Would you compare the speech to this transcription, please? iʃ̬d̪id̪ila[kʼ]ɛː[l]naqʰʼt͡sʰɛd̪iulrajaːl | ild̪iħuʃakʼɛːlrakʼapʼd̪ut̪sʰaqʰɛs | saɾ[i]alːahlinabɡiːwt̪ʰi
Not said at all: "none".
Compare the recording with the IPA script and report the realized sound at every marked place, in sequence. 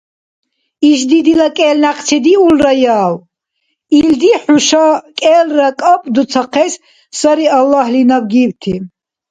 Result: kʼ, l, i

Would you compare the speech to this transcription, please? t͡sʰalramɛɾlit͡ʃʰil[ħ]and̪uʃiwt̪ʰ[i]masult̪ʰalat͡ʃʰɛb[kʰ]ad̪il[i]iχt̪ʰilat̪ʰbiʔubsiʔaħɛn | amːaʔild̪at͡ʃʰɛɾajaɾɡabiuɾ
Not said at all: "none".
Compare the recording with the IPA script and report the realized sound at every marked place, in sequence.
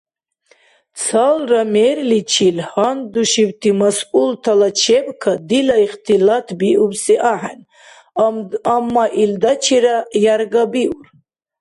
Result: h, i, kʰ, a

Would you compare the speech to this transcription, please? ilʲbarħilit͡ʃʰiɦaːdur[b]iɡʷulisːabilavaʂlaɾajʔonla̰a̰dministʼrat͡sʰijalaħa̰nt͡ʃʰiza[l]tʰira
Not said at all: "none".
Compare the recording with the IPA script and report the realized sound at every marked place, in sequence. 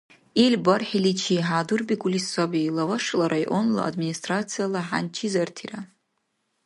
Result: b, r

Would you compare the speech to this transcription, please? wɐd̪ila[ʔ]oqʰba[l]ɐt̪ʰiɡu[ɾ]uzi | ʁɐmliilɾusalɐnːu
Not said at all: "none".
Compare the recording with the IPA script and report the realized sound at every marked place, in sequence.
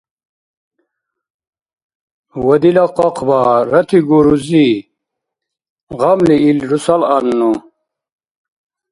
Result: q, ɾ, ɾ

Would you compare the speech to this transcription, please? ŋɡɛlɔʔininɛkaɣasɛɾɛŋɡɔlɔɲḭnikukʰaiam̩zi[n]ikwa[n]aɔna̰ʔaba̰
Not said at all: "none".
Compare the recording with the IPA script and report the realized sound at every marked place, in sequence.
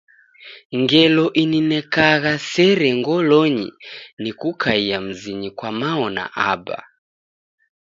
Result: ɲ, m

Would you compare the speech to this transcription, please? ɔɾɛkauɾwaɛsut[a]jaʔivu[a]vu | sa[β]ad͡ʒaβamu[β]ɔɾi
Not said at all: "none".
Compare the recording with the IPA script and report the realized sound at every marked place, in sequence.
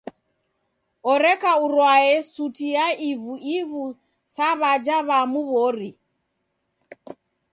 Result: i, i, β, β

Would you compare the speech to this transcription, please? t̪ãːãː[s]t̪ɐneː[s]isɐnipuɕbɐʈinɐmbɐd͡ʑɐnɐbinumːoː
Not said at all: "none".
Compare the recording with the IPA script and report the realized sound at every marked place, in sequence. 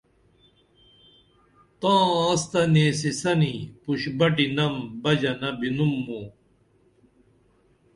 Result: s, s

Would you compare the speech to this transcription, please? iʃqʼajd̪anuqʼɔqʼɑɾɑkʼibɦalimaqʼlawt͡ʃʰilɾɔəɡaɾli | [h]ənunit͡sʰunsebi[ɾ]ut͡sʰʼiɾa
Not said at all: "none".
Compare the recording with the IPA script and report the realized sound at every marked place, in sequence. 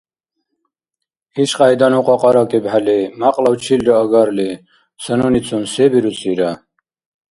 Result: s, ɾ

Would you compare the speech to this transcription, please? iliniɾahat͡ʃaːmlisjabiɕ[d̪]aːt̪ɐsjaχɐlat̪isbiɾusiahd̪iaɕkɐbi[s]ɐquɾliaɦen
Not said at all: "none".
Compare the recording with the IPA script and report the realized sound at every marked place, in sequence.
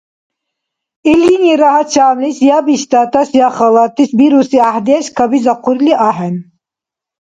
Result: t̪, z

